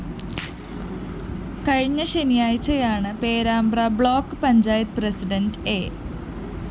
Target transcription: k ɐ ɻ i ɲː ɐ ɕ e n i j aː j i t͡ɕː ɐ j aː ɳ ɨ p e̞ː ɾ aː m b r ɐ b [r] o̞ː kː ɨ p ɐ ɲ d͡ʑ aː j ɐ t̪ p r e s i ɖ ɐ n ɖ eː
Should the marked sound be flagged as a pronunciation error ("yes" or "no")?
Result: yes